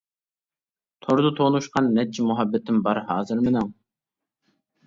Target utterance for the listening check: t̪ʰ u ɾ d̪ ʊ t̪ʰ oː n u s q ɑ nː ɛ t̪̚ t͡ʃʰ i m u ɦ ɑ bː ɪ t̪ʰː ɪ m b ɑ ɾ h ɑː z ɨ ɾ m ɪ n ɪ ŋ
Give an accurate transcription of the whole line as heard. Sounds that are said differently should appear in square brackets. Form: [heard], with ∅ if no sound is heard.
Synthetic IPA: t̪ʰ [o] ɾ d̪ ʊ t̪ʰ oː n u [ʃ] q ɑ nː ɛ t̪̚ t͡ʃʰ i m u ɦ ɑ bː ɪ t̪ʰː ɪ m b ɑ ɾ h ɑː z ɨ ɾ m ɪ n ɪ ŋ